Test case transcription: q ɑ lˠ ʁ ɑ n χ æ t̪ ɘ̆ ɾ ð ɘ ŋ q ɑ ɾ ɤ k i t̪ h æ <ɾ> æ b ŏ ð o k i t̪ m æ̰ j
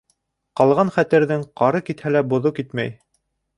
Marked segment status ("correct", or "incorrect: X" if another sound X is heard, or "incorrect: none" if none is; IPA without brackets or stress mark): incorrect: l